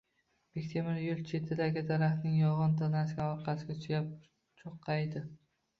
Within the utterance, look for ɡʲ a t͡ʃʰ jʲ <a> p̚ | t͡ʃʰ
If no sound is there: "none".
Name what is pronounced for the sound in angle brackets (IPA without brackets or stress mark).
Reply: a